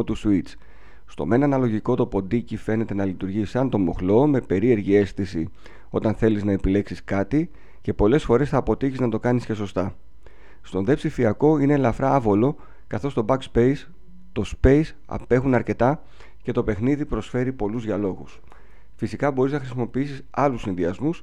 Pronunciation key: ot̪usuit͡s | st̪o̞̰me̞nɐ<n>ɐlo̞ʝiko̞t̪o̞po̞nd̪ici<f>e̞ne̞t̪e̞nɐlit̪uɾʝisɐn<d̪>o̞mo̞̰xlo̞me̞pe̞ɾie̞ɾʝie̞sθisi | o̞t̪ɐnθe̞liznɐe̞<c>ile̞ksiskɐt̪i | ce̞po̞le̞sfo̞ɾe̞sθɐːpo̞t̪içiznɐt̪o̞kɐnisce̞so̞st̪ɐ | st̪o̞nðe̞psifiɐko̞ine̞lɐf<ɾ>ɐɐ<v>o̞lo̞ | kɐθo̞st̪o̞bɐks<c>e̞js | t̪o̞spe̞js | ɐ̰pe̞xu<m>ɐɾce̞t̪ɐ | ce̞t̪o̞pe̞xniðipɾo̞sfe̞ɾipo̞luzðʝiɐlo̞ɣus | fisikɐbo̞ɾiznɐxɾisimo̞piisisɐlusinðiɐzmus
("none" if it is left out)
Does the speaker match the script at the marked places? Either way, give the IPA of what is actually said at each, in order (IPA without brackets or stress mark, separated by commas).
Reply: n, f, t̪, p, ɾ, v, p, n